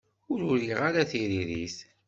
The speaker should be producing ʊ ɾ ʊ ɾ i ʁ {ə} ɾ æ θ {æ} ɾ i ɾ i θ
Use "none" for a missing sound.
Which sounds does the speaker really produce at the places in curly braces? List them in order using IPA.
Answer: a, i

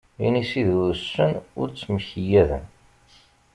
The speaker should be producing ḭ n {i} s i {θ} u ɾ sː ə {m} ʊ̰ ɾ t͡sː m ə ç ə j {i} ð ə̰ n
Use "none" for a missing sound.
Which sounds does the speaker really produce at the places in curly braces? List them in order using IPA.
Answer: i, ð, n, æ

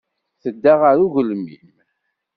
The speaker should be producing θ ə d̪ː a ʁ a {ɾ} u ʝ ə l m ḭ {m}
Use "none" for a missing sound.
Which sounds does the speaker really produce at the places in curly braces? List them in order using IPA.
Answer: ɾ, m

